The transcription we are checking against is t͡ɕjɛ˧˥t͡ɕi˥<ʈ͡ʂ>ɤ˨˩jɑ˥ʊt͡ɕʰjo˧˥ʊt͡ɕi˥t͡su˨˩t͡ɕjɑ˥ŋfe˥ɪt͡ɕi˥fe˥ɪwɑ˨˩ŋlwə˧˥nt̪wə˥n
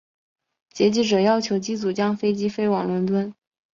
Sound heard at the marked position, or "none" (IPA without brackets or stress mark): ʈ͡ʂ